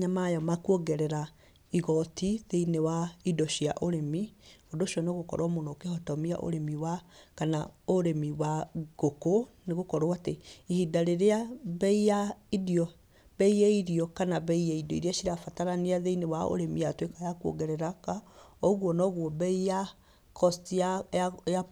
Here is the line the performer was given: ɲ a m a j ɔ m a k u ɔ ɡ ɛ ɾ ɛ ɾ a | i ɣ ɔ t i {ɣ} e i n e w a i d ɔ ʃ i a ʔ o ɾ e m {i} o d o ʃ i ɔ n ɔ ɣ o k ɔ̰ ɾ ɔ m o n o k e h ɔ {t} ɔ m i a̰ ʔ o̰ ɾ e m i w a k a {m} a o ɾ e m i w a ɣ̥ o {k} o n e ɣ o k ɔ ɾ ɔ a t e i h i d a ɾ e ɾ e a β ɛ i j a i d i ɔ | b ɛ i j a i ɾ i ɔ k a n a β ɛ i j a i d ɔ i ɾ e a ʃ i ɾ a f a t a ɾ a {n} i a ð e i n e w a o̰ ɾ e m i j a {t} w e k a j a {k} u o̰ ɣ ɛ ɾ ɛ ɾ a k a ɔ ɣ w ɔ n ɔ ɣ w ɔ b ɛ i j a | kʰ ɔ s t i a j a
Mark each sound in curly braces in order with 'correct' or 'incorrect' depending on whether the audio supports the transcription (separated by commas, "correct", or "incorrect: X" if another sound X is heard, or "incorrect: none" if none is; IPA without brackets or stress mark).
incorrect: ð, correct, correct, incorrect: n, correct, correct, correct, correct